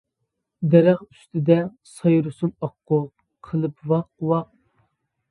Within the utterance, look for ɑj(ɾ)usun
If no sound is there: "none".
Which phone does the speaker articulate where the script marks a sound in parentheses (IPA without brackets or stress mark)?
ɾ